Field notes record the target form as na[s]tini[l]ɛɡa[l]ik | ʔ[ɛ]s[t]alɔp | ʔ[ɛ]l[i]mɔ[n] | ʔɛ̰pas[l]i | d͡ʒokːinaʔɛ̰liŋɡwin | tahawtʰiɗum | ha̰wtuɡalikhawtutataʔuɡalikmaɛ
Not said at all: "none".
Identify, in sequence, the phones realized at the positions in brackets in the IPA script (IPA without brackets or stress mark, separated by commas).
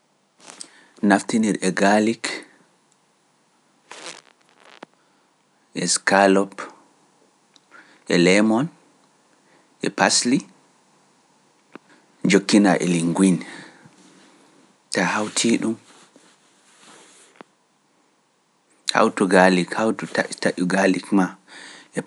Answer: f, ɾ, l, ɛ, k, ɛ, ɛ, n, l